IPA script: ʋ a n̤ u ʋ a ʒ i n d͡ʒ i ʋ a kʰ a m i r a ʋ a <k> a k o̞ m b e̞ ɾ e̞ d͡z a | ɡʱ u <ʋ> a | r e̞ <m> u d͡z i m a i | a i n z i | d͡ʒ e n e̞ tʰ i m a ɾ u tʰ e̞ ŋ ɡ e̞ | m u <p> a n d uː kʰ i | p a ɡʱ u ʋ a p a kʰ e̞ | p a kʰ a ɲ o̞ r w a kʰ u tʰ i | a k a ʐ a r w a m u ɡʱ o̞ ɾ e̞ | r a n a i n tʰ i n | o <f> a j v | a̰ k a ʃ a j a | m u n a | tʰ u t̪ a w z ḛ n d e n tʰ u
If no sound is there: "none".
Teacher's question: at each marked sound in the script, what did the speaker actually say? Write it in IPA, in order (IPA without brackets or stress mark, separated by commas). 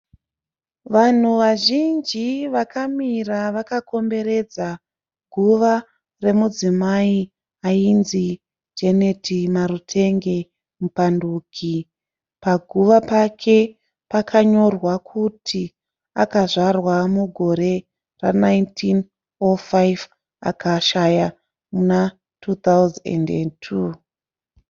k, ʋ, m, p, f